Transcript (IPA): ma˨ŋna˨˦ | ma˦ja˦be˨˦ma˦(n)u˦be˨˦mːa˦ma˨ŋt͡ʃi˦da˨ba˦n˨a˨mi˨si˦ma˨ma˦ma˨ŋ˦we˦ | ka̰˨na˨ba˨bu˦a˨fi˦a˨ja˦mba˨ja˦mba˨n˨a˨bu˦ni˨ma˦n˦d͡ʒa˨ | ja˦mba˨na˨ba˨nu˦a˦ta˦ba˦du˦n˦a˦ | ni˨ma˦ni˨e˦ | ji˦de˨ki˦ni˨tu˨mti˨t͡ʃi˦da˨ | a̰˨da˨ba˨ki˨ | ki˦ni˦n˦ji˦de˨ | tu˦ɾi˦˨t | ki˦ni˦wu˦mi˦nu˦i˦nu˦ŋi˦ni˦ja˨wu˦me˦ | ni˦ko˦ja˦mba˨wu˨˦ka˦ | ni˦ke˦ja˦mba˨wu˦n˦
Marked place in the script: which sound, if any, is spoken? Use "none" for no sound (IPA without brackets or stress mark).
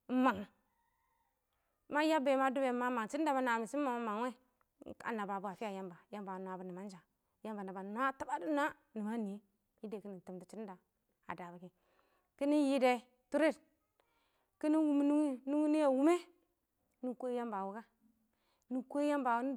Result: d